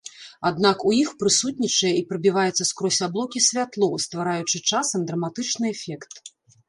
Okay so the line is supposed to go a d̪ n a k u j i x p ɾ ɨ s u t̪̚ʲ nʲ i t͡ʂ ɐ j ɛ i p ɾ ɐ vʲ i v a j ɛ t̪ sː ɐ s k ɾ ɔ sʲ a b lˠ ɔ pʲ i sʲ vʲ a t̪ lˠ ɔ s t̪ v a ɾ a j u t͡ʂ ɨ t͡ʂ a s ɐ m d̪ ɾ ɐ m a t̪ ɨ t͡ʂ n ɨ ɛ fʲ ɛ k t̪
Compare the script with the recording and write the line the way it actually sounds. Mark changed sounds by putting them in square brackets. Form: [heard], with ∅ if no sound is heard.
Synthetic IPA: a d̪ n a k u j i x p ɾ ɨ s u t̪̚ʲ nʲ i t͡ʂ ɐ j ɛ i p ɾ ɐ [bʲ] i v a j ɛ t̪ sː ɐ s k ɾ ɔ sʲ a b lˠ ɔ [kʲ] i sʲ vʲ a t̪ lˠ ɔ s t̪ v a ɾ a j u t͡ʂ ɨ t͡ʂ a s ɐ m d̪ ɾ ɐ m a t̪ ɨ t͡ʂ n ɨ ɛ fʲ ɛ k t̪